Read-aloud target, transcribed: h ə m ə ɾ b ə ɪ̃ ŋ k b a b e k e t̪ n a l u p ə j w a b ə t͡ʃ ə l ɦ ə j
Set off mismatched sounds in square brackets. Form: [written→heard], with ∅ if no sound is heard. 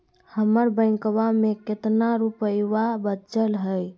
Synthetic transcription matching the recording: h ə m ə ɾ b ə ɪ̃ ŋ k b a [b→m] e k e t̪ n a [l→ɾ] u p ə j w a b ə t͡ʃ ə l ɦ ə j